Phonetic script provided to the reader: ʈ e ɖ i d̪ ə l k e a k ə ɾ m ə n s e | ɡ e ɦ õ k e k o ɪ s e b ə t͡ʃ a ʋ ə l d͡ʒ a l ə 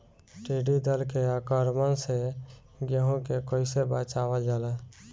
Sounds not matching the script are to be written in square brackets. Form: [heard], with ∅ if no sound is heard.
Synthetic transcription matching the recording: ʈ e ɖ i d̪ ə l k e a k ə ɾ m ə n s e | ɡ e ɦ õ k e k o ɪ s e b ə t͡ʃ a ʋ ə l d͡ʒ a l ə